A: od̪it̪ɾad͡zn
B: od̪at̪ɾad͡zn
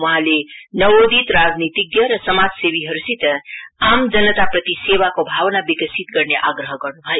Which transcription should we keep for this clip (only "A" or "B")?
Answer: A